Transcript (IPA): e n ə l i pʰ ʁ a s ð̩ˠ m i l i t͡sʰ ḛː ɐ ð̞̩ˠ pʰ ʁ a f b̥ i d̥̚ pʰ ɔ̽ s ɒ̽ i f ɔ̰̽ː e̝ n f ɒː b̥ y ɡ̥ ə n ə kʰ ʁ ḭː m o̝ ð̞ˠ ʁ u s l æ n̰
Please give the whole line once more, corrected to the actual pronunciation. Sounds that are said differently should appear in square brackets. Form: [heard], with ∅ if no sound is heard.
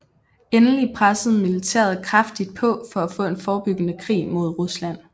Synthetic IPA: e n ə l i pʰ ʁ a s ð̩ˠ m i l i t͡sʰ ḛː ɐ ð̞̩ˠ [kʰ] ʁ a f [d̥] i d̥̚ pʰ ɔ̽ [f] ɒ̽ [æ] f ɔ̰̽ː e̝ n f ɒː b̥ y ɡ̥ ə n ə kʰ ʁ ḭː m o̝ ð̞ˠ ʁ u s l æ n̰